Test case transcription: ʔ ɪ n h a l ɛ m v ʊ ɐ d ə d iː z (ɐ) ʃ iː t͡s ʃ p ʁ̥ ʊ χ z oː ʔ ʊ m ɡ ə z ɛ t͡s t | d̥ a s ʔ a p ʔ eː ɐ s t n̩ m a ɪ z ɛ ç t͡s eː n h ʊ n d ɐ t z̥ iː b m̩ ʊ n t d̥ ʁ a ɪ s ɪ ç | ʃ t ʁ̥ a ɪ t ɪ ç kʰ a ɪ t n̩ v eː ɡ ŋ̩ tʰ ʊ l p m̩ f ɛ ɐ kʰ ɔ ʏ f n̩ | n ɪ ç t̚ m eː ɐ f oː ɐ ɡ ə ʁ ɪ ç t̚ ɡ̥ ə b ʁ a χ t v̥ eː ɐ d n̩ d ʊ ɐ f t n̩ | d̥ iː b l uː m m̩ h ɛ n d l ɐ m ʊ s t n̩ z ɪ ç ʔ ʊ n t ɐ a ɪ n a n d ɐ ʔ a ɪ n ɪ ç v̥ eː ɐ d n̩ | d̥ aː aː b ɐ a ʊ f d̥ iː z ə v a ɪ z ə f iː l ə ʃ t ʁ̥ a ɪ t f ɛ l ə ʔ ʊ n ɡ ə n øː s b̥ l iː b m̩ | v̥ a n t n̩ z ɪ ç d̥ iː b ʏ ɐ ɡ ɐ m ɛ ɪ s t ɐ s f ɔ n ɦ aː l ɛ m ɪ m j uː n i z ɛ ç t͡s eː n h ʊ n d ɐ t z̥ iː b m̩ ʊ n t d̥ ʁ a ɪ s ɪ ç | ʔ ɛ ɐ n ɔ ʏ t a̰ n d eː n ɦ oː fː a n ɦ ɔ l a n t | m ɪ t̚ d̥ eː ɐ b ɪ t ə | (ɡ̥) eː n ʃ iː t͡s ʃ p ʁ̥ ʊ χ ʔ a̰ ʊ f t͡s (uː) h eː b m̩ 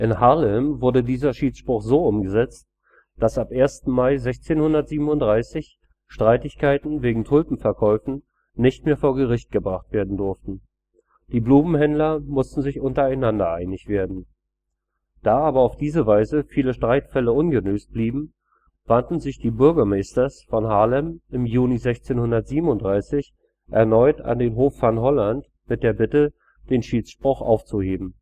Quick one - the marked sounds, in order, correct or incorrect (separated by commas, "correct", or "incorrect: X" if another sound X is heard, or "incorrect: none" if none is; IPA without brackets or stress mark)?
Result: correct, incorrect: d̥, incorrect: u